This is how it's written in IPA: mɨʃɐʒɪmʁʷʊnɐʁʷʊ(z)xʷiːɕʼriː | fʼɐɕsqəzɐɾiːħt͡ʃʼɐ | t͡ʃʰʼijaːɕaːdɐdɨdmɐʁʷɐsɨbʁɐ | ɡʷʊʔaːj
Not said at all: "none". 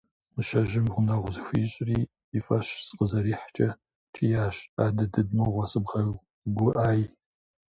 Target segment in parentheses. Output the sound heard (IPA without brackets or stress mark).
z